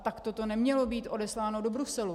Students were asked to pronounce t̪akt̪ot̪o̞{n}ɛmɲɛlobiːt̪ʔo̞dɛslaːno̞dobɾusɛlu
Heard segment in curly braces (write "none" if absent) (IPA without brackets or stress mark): n